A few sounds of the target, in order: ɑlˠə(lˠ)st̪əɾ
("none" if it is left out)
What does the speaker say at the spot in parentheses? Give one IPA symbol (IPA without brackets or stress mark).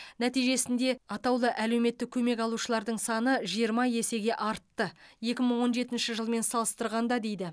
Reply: none